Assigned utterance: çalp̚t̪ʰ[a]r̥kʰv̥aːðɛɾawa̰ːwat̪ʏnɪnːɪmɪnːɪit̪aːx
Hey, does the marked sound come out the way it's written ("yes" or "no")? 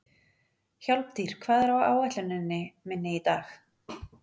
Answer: no